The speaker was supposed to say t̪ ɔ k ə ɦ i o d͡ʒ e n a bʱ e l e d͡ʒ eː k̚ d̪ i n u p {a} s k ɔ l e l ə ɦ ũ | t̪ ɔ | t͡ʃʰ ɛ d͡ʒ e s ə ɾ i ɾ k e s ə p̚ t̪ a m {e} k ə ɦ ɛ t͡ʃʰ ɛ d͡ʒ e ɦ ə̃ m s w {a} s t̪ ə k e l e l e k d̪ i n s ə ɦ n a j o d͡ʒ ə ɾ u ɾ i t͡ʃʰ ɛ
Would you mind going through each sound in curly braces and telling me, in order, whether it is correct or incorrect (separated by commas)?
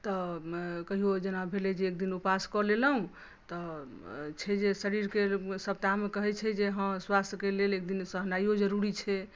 correct, correct, correct